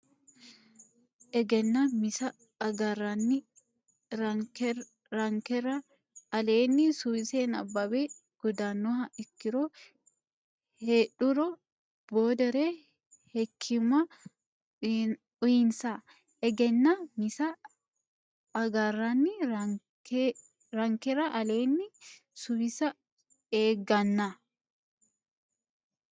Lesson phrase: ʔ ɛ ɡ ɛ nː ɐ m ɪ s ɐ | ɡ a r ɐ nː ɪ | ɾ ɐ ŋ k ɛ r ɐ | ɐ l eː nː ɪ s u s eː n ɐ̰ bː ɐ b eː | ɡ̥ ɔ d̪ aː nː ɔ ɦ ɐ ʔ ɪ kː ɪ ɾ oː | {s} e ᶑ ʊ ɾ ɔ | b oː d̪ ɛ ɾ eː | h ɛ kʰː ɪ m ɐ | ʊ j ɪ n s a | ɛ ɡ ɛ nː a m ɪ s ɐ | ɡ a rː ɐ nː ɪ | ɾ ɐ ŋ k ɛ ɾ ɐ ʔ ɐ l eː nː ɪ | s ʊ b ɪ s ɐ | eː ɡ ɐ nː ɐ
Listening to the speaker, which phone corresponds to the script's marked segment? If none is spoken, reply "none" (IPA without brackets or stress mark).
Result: h